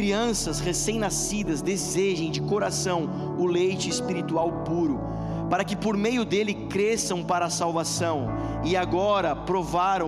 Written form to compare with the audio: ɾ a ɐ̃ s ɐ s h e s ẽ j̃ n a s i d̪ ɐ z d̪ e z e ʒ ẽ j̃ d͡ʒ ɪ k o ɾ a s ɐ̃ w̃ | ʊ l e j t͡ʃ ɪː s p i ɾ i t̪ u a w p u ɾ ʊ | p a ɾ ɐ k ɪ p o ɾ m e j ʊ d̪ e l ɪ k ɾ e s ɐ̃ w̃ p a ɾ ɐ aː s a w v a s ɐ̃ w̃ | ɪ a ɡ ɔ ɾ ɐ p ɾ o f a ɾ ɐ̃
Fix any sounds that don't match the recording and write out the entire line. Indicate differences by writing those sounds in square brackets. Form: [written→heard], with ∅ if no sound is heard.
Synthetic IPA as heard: ɾ [a→i] ɐ̃ s ɐ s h e s ẽ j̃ n a s i d̪ ɐ z d̪ e z e ʒ ẽ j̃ d͡ʒ ɪ k o ɾ a s ɐ̃ w̃ | ʊ l e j t͡ʃ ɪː s p i ɾ i t̪ u a w p u ɾ ʊ | p a ɾ ɐ k ɪ p o ɾ m e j ʊ d̪ e l ɪ k ɾ e s ɐ̃ w̃ p a ɾ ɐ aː s a w v a s ɐ̃ w̃ | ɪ a ɡ ɔ ɾ ɐ p ɾ o [f→v] a ɾ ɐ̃